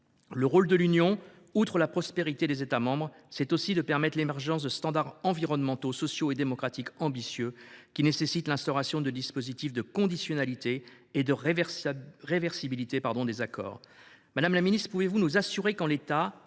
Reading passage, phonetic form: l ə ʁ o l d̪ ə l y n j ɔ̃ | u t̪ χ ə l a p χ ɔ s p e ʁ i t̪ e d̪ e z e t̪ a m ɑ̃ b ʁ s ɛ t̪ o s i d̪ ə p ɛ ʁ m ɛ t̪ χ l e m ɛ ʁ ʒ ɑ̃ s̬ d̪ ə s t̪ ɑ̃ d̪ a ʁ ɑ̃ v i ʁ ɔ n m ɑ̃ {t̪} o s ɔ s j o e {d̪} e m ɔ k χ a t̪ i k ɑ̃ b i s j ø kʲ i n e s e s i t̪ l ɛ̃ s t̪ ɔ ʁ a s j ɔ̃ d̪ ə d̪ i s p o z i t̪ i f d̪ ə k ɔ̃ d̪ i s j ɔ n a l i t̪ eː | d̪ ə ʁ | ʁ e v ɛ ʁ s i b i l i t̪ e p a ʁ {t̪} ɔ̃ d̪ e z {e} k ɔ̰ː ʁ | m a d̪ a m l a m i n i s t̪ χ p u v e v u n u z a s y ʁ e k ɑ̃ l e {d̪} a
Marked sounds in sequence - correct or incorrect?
correct, correct, incorrect: d̪, incorrect: a, incorrect: t̪

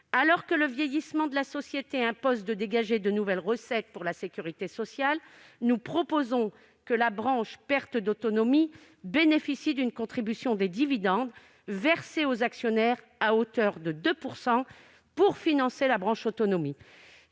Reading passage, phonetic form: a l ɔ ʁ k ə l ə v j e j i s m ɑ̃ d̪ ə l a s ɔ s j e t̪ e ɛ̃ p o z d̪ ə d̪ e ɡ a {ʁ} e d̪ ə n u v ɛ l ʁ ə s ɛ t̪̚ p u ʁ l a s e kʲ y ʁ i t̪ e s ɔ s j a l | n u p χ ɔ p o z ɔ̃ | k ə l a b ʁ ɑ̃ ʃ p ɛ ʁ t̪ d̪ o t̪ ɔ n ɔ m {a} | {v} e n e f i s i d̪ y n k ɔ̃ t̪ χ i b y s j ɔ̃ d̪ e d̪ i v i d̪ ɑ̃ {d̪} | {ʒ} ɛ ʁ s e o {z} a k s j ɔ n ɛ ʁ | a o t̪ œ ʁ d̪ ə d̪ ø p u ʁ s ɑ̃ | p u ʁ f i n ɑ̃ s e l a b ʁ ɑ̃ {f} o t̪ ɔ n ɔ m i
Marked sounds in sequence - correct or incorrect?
incorrect: ʒ, incorrect: i, incorrect: b, correct, incorrect: v, correct, incorrect: ʃ

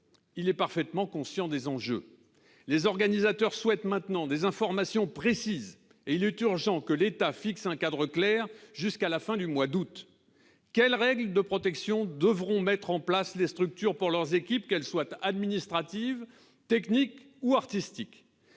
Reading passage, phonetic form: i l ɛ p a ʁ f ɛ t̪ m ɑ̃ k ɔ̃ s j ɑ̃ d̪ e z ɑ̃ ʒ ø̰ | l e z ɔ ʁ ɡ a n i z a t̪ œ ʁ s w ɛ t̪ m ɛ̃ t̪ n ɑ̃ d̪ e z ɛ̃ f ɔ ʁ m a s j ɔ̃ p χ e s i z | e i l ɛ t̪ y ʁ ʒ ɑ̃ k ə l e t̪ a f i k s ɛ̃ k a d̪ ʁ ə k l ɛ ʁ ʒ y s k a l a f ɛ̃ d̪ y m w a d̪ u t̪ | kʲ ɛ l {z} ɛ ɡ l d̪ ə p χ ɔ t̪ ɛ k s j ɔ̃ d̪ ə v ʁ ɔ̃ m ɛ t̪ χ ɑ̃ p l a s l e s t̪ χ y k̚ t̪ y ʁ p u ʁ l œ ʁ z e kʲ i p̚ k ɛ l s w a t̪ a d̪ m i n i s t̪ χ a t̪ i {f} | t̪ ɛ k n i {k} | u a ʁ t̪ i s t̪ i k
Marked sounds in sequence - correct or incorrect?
incorrect: ʁ, incorrect: v, correct

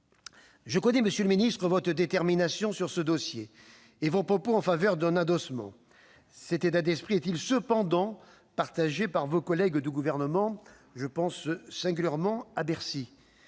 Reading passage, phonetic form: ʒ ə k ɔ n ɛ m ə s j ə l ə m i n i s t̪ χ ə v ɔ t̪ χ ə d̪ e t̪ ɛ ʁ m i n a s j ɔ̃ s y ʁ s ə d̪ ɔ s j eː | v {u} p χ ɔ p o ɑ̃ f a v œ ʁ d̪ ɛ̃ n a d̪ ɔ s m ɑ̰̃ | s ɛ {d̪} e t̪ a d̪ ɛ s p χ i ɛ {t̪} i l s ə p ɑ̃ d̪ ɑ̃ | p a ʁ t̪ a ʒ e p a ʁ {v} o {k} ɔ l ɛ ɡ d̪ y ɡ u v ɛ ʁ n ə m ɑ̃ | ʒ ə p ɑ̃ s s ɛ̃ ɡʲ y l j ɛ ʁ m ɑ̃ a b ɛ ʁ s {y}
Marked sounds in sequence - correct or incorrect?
incorrect: o, incorrect: t̪, correct, correct, correct, incorrect: i

